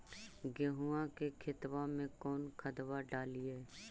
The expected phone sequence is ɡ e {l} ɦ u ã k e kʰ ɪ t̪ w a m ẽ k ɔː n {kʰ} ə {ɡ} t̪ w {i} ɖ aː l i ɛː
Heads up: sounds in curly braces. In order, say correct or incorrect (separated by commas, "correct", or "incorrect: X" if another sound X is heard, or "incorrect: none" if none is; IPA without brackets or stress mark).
incorrect: none, correct, incorrect: none, incorrect: a